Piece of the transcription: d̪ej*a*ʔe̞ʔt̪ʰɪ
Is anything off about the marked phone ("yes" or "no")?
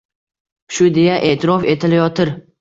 no